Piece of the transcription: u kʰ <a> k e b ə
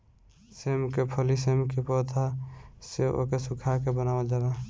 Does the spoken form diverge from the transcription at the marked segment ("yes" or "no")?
no